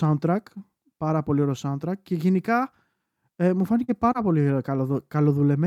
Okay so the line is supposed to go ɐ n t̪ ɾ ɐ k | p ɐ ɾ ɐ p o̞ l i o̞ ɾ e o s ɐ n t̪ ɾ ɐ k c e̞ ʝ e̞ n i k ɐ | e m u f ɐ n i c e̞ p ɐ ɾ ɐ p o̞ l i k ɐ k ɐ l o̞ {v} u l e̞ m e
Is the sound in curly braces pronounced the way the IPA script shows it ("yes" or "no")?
no